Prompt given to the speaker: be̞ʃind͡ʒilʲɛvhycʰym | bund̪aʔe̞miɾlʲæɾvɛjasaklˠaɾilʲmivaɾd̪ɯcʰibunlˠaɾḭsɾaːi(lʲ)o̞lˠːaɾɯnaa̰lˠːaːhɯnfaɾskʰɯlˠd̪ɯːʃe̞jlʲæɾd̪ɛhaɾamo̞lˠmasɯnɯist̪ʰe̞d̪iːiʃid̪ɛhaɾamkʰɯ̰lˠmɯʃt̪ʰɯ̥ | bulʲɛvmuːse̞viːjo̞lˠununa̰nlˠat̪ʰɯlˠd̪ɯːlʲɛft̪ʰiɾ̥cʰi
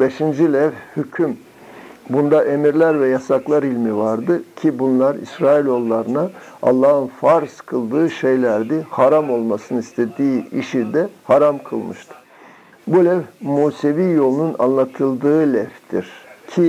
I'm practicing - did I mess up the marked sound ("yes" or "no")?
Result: no